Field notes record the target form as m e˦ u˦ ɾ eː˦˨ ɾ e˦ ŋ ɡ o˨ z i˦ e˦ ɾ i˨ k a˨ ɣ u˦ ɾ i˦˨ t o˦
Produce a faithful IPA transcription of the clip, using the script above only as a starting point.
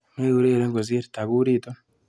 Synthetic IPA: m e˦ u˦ ɾ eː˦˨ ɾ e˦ ŋ ɡ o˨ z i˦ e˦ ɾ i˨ t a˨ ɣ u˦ ɾ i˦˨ t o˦

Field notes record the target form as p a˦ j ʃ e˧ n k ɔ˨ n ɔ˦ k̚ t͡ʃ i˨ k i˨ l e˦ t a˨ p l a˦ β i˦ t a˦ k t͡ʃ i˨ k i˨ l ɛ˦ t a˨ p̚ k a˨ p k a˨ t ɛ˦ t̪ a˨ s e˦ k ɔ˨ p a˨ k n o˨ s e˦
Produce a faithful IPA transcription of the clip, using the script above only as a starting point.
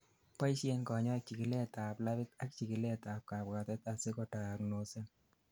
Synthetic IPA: p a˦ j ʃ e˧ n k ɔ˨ ɲ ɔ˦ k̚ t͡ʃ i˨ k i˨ l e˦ t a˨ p l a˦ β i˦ t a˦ k t͡ʃ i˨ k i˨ l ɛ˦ t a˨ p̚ k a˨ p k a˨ t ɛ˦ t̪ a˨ s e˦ k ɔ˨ t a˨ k n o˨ s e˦

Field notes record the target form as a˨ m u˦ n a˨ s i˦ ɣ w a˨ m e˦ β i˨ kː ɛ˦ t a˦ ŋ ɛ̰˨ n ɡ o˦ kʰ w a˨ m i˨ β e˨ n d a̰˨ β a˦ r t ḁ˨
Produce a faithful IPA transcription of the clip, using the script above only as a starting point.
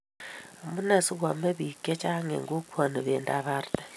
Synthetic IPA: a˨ m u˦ n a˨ s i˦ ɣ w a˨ m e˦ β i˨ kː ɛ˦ t͡ʃ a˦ ŋ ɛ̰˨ ŋ ɡ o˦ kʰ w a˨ n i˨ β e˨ n d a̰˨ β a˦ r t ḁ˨

